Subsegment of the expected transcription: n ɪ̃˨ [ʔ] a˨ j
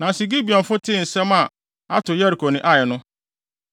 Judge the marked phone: correct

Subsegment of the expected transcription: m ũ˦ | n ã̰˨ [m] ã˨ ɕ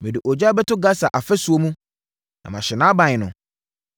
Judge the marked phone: correct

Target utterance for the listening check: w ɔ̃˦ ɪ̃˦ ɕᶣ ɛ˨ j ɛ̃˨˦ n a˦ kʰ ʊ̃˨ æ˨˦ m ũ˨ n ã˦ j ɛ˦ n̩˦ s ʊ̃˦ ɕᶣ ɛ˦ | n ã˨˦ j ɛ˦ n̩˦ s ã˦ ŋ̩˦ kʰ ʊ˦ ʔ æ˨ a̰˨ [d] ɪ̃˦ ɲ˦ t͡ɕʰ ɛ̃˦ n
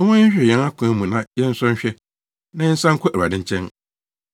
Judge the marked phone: correct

